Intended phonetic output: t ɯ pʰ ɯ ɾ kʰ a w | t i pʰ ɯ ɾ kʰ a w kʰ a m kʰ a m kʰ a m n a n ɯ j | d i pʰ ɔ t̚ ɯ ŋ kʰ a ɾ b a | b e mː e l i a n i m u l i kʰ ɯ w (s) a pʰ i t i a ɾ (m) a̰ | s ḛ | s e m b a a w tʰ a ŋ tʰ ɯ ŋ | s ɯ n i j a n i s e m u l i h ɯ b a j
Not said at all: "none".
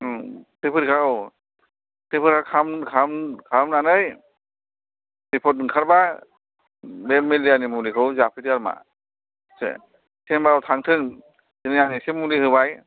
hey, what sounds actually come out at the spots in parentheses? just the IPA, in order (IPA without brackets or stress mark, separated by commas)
z, m